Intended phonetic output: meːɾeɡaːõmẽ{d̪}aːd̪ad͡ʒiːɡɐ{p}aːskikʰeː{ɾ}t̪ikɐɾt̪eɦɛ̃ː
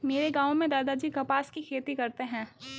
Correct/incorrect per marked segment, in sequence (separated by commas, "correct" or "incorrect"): correct, correct, incorrect